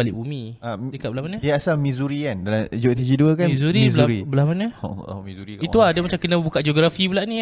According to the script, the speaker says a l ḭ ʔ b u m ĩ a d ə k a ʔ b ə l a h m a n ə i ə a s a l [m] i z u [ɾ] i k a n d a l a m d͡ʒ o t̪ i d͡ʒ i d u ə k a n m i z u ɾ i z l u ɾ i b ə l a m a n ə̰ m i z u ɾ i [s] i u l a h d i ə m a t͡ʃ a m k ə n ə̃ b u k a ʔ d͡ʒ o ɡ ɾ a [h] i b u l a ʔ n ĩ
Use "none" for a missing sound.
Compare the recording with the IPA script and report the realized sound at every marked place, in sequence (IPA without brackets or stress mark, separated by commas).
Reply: m, ɾ, none, f